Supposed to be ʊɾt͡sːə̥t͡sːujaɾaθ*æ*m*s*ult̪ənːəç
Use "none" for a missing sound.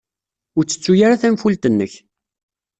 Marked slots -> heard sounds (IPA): æ, f

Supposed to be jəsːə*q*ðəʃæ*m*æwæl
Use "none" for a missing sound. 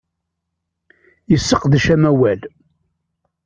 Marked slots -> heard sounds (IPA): q, m

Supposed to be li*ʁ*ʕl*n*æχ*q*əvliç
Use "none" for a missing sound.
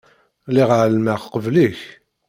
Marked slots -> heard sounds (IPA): ʁ, m, q

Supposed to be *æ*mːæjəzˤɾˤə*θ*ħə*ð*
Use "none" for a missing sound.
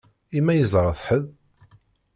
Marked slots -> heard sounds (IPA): i, θ, ð

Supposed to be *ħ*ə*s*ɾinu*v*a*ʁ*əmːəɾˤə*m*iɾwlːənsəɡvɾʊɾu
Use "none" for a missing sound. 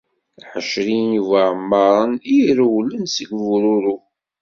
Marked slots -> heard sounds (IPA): ħ, ʃ, v, ʕ, n

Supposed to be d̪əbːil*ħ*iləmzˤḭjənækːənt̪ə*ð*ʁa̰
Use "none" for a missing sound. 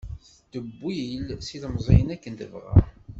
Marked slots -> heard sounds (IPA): s, v

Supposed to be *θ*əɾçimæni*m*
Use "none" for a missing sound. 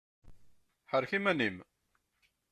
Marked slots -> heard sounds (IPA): ħ, m

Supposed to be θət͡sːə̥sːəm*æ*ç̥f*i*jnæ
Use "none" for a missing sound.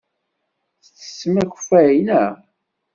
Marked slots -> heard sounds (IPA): æ, æ

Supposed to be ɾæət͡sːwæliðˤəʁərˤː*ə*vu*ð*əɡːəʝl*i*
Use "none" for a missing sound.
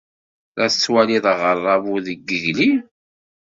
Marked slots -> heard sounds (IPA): ɑ, ð, i

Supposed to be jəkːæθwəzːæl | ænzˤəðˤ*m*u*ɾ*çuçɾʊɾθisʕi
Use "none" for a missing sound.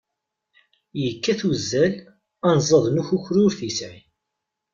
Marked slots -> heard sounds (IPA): n, none

